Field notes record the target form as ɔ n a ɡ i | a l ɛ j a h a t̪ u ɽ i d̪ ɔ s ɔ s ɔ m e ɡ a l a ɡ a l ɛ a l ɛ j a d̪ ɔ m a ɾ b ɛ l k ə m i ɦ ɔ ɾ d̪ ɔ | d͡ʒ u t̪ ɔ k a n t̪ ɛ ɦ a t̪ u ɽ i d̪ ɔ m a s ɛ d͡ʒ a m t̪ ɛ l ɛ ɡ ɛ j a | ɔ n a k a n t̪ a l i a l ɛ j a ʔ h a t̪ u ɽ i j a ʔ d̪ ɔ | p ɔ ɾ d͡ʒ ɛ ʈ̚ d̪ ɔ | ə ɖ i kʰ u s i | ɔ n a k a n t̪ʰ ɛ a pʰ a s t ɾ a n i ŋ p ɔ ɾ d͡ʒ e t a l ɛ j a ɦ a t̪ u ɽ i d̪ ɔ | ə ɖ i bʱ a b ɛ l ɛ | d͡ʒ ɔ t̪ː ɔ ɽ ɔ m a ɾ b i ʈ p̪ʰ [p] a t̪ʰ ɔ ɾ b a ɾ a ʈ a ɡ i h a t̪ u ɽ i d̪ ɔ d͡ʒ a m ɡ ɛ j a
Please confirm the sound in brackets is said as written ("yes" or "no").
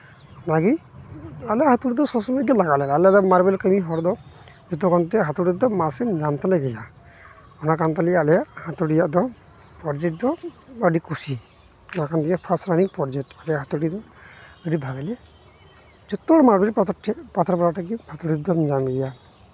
yes